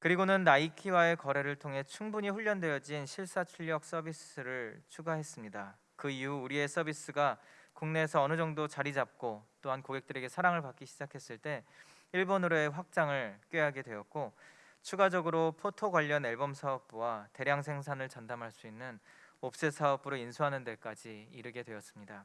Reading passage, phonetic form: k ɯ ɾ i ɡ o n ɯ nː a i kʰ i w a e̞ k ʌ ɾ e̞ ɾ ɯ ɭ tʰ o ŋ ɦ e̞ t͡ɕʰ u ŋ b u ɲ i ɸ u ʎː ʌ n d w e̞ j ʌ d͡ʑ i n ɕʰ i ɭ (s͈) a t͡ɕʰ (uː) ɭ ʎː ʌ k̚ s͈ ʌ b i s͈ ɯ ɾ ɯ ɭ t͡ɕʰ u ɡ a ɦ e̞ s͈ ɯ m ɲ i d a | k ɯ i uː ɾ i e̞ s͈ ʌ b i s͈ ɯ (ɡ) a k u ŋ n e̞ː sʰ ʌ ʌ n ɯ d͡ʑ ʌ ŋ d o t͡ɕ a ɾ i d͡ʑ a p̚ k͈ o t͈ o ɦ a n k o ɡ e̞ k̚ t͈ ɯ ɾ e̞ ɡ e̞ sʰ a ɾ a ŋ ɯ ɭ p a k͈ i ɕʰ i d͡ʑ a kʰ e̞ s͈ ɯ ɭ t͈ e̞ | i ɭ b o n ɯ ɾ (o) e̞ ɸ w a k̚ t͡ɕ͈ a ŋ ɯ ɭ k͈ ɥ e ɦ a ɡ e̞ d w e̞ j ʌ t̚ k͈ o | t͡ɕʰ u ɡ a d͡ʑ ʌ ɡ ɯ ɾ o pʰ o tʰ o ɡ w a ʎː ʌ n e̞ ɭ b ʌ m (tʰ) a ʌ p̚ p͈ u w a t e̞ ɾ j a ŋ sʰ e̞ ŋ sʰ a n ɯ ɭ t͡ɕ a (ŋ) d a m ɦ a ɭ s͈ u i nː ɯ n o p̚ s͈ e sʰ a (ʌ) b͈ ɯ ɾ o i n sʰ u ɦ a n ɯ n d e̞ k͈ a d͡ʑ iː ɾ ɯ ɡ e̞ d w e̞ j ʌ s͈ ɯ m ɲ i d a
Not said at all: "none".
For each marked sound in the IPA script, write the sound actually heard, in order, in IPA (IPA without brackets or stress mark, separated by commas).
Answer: s͈, u, ɡ, o, sʰ, n, ʌ